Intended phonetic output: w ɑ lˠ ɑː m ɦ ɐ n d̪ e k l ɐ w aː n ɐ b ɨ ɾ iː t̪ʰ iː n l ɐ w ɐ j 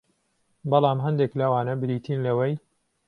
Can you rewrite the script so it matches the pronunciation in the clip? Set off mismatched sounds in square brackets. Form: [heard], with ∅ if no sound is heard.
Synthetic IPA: [b] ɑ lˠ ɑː m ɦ ɐ n d̪ e k l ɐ w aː n ɐ b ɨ ɾ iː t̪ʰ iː n l ɐ w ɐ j